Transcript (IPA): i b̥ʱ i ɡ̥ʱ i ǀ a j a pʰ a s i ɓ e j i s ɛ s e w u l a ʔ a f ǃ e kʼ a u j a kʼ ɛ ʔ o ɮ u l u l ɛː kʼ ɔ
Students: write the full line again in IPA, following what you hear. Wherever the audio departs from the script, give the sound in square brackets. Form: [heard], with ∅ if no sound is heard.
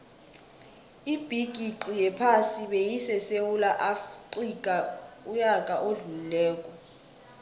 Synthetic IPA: i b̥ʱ i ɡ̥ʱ i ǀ [i] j [ɛ] pʰ a s i ɓ e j i s ɛ s e w u l a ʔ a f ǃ [i] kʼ a u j a kʼ [a] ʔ o ɮ u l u l ɛː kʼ ɔ